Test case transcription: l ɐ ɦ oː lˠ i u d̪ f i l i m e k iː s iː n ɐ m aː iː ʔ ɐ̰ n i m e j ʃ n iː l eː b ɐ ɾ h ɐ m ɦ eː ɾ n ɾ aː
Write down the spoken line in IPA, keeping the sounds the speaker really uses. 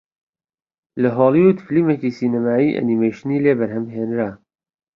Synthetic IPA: l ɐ ɦ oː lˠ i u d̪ f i l i m e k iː s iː n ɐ m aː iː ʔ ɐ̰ n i m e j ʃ n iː l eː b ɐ ɾ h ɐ m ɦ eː n ɾ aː